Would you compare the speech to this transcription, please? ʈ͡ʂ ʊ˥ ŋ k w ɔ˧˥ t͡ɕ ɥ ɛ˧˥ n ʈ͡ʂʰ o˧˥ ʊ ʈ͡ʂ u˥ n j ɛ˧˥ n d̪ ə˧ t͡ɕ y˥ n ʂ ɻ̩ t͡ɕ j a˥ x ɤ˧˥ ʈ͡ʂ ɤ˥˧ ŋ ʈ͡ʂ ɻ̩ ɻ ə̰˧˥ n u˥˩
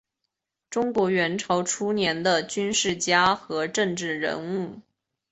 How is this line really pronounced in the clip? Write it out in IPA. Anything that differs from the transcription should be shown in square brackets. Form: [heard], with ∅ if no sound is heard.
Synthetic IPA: ʈ͡ʂ ʊ˥ ŋ k w ɔ˧˥ [∅] ɥ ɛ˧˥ n ʈ͡ʂʰ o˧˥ ʊ [ʈ͡ʂʰ] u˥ n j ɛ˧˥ n d̪ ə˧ t͡ɕ y˥ n ʂ ɻ̩ t͡ɕ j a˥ x ɤ˧˥ ʈ͡ʂ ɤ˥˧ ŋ ʈ͡ʂ ɻ̩ ɻ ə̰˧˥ n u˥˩